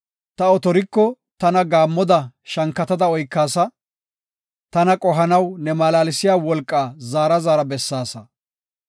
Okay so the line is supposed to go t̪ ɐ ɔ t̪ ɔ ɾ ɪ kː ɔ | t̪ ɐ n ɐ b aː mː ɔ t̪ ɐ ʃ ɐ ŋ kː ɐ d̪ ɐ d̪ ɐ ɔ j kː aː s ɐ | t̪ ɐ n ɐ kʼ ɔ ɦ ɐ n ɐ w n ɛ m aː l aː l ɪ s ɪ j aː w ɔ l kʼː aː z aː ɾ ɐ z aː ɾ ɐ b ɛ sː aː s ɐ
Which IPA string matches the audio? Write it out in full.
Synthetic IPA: t̪ ɐ ɔ t̪ ɔ ɾ ɪ kː ɔ | t̪ ɐ n ɐ ɡ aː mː ɔ d̪ ɐ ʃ ɐ ŋ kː ɐ t̪ ɐ d̪ ɐ ɔ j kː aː s ɐ | t̪ ɐ n ɐ kʼ ɔ ɦ ɐ n ɐ w n ɛ m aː l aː l ɪ s ɪ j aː w ɔ l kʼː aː z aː ɾ ɐ z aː ɾ ɐ b ɛ sː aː s ɐ